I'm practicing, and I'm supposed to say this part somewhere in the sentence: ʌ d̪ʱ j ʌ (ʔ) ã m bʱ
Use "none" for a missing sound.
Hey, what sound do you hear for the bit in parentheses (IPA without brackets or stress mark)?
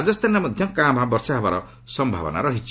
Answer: k